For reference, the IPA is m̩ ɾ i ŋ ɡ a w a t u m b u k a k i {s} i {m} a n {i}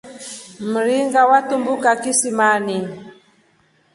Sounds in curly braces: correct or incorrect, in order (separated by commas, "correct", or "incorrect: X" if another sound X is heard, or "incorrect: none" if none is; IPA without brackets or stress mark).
correct, correct, correct